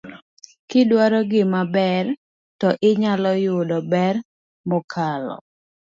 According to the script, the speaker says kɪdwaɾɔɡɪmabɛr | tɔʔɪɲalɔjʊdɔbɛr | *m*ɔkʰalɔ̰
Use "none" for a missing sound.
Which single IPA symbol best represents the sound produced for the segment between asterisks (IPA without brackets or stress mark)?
m